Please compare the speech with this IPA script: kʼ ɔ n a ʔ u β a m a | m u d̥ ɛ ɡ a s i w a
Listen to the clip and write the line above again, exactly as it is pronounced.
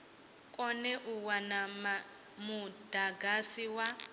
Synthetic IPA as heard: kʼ ɔ n ɛ ʔ u w a n a | m u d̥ a ɡ a s i w a